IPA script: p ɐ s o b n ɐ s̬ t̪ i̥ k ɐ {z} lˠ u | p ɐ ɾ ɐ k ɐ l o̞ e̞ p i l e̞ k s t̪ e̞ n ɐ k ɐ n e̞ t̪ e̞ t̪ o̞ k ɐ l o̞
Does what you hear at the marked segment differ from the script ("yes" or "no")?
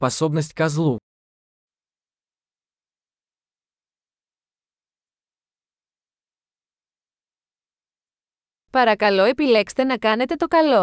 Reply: no